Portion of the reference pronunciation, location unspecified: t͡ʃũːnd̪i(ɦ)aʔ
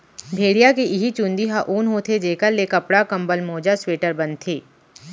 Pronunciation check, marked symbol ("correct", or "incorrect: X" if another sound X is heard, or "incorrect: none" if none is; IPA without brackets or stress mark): correct